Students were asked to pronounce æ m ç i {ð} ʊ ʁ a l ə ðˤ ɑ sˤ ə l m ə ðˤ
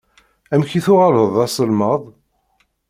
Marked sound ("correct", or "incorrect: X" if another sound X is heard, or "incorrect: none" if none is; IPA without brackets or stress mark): incorrect: θ